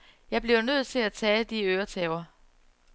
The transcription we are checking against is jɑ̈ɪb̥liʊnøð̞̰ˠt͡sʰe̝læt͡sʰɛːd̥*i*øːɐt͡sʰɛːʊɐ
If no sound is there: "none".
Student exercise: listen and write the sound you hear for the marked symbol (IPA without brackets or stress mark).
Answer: i